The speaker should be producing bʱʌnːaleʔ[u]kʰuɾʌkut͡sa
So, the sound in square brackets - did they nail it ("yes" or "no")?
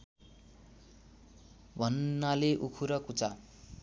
yes